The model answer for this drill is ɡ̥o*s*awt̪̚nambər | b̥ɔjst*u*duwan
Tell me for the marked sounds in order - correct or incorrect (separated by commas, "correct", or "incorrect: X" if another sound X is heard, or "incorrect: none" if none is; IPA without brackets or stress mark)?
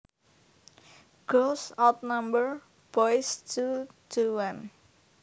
correct, correct